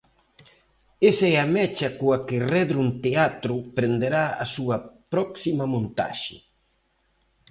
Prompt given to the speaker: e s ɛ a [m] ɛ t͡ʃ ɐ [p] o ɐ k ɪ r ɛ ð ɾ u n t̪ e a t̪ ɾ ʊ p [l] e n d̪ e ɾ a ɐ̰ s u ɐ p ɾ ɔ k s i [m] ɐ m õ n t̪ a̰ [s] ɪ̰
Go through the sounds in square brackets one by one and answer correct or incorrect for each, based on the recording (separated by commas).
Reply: correct, incorrect, incorrect, correct, incorrect